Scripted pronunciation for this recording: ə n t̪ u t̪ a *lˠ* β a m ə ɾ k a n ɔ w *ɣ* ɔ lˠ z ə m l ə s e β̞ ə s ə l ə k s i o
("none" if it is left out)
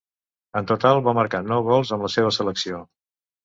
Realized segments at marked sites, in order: lˠ, ɣ

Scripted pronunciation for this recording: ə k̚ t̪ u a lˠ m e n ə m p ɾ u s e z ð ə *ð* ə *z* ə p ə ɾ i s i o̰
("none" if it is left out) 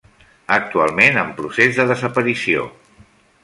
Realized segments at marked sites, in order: ð, z

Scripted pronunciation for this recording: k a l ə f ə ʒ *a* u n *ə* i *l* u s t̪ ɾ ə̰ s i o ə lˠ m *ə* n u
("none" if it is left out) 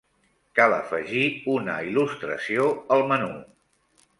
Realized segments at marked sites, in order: i, ə, l, ə

